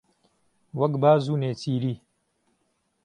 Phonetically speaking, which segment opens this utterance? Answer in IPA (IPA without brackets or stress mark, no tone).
w